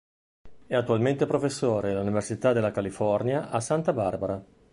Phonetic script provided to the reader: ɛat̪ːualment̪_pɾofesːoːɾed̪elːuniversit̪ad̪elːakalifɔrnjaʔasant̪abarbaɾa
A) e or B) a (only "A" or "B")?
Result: A